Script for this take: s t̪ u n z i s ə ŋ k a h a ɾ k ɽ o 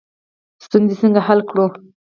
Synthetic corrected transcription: s t̪ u n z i s ə ŋ ɡ a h a l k ɽ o